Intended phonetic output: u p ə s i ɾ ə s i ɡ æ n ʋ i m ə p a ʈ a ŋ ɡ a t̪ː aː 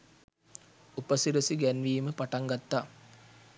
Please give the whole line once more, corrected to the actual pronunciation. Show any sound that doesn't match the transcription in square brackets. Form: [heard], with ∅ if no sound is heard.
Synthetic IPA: u p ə s i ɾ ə s i ɡ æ n ʋ [iː] m ə p a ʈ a ŋ ɡ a t̪ː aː